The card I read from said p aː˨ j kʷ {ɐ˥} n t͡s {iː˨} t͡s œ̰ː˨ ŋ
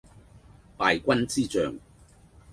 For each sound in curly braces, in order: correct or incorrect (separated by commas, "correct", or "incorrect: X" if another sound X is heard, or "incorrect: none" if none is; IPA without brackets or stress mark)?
correct, incorrect: iː˥